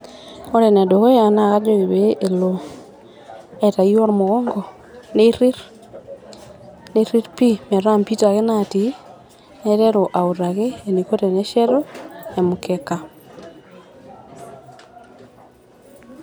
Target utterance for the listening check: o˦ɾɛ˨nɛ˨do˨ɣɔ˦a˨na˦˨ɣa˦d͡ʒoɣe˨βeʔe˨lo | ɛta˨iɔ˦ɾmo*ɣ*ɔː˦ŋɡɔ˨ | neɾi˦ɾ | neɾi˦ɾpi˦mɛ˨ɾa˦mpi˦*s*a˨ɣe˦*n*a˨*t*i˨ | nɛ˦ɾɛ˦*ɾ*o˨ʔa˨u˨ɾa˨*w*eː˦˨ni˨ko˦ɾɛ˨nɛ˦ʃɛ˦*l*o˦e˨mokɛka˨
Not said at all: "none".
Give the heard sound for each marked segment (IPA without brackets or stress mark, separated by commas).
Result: ɣ, t, n, t, ɾ, ɣ, ɾ